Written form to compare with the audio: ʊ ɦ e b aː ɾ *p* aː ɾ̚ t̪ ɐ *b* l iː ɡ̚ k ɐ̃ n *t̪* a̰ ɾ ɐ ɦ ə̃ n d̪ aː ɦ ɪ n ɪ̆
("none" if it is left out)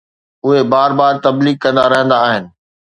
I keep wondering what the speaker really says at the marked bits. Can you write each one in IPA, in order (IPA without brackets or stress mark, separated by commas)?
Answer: b, b, d̪